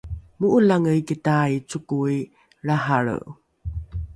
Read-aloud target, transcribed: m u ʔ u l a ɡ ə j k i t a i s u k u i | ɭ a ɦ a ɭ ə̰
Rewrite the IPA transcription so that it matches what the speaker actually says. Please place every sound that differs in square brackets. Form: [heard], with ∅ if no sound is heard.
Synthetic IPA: m u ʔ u l a [ŋ] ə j k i t a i [t͡s] u k u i | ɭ a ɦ a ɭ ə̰